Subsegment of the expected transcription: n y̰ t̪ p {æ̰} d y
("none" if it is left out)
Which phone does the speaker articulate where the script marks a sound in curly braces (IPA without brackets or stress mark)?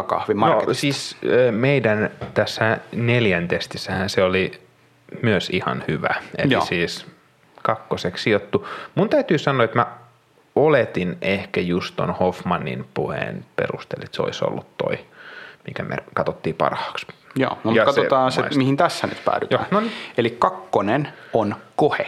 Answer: æ̰ː